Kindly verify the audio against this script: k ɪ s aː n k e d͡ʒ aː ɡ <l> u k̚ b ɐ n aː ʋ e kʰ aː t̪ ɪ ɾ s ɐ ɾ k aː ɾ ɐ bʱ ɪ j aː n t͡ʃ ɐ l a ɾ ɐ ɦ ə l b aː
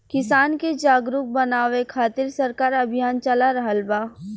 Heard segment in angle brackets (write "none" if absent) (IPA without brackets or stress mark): ɾ